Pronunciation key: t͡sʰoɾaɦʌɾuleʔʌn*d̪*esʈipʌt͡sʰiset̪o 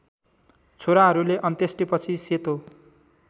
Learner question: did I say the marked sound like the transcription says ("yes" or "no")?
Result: no